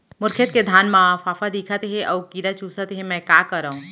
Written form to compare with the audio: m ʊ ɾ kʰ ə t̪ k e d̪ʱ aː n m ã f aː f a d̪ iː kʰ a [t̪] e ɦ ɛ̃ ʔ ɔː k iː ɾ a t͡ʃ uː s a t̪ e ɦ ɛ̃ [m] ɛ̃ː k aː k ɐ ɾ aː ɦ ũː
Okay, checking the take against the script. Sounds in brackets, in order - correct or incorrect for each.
correct, correct

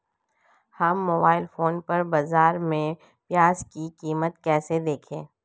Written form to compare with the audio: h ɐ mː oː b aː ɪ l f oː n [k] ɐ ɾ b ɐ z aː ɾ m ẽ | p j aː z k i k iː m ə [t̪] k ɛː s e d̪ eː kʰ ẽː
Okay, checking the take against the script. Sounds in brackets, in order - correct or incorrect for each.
incorrect: p, correct

